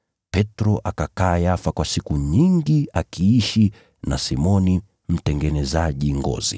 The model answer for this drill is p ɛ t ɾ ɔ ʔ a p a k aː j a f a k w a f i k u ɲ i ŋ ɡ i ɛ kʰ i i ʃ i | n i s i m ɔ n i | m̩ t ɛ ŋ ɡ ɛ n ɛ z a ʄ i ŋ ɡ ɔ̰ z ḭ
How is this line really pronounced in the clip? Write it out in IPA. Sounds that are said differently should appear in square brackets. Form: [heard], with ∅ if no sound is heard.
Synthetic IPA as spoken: p ɛ t ɾ ɔ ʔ a [k] a k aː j a f a k w a [s] i k u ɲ i ŋ ɡ i [a] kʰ i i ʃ i | n [a] s i m ɔ n i | m̩ t ɛ ŋ ɡ ɛ n ɛ z a ʄ i ŋ ɡ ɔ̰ z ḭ